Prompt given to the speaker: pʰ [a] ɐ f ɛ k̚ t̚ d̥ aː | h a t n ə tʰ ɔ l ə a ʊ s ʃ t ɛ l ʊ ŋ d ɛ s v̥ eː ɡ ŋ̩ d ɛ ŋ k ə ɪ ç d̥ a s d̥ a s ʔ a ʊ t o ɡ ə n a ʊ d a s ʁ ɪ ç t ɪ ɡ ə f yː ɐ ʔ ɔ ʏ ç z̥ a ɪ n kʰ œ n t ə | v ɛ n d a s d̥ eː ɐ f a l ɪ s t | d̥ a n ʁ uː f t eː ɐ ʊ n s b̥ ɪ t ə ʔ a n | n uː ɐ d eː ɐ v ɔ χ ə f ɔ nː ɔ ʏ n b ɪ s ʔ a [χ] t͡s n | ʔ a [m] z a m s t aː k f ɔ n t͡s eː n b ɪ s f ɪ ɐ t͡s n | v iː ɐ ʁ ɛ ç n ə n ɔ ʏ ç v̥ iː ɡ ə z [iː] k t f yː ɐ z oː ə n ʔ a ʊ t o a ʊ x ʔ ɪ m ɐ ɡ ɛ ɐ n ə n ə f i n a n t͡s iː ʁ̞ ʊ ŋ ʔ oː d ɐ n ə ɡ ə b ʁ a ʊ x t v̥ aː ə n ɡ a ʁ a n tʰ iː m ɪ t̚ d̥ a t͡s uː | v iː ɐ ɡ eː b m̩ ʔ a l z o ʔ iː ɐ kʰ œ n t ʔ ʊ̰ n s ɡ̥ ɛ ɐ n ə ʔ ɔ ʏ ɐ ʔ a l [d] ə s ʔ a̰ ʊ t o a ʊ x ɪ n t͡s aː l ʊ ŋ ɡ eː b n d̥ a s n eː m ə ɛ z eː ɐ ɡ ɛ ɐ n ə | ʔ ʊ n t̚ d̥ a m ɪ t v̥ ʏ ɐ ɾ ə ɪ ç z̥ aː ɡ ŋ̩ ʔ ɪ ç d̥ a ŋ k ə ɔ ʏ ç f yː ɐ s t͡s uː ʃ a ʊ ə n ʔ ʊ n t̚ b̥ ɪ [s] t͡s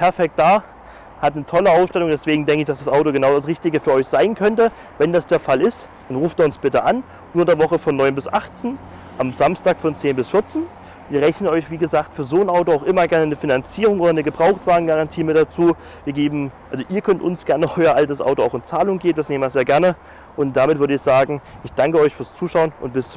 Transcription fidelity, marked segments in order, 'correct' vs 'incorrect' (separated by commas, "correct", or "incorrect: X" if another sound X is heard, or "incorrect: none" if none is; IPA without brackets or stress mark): incorrect: ɛ, correct, correct, incorrect: aː, incorrect: t, correct